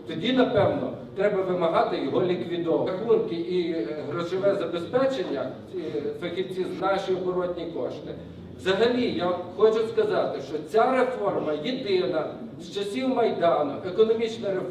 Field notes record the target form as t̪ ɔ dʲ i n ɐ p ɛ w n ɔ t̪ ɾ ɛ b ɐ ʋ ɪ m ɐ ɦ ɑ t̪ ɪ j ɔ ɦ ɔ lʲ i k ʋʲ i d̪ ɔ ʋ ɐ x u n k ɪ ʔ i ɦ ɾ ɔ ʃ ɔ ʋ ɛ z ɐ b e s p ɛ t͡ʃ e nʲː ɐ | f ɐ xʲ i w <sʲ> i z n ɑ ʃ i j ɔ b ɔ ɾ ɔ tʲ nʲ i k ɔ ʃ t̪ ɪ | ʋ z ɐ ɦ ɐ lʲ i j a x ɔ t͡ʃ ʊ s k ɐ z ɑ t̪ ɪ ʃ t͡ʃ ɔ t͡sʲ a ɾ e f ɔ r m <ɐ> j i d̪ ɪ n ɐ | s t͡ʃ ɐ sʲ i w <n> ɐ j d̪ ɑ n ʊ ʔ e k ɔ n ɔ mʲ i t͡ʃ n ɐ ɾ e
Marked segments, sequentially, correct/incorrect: incorrect, correct, incorrect

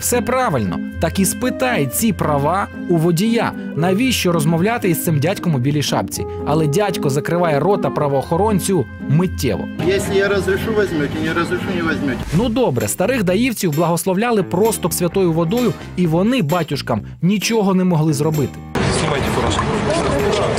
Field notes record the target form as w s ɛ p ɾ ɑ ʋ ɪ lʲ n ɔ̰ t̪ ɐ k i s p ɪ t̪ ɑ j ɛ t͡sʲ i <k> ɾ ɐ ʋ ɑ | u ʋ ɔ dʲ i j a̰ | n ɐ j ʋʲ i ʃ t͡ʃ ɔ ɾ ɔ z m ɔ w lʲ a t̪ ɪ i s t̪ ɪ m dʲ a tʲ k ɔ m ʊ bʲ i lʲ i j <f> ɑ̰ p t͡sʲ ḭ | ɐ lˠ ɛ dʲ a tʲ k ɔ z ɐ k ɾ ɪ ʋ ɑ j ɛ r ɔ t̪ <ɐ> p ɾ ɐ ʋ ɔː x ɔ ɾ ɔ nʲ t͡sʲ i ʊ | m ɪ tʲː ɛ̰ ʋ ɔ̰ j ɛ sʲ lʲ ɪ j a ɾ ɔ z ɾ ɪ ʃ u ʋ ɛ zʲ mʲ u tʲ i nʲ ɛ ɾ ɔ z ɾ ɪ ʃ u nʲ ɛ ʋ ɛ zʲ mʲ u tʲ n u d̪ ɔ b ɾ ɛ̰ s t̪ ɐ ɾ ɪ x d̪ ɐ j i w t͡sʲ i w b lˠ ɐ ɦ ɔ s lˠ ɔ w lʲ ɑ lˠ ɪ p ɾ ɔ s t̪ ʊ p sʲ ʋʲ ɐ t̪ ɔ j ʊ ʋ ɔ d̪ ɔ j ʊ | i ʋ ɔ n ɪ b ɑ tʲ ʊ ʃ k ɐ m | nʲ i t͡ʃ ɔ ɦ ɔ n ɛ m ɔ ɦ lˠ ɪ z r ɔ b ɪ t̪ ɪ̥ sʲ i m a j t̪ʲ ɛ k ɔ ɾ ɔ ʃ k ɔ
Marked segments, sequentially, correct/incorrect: incorrect, incorrect, correct

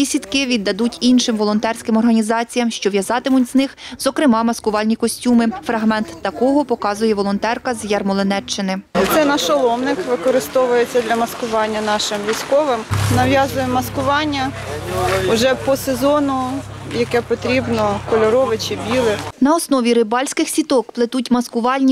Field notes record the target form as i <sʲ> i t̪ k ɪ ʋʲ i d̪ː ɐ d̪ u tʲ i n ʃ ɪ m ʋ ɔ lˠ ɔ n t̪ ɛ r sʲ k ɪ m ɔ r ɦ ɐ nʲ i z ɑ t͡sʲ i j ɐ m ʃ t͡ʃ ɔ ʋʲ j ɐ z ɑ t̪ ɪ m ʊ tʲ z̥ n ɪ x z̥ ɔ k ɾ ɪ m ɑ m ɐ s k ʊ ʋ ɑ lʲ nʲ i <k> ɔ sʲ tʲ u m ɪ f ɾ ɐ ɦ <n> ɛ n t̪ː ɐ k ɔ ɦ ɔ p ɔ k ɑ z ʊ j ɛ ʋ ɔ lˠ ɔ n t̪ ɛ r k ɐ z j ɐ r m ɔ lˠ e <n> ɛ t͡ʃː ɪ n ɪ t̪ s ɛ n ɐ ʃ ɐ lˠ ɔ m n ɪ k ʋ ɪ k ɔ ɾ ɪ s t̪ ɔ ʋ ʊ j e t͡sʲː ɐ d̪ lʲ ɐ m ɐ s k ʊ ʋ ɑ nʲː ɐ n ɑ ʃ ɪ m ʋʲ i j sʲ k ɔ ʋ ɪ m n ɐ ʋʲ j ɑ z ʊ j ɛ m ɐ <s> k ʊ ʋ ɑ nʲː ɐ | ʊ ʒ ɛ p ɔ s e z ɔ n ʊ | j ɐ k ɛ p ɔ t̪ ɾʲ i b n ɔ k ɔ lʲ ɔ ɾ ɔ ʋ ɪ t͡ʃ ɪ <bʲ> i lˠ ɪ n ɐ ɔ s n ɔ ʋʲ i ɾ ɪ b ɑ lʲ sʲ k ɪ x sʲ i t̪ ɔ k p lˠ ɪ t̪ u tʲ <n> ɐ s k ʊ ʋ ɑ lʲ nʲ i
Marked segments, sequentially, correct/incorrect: correct, correct, incorrect, correct, correct, correct, incorrect

